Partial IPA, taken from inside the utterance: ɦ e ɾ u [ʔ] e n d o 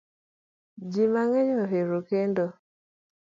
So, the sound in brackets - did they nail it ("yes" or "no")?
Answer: no